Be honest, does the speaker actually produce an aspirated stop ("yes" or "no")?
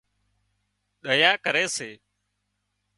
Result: no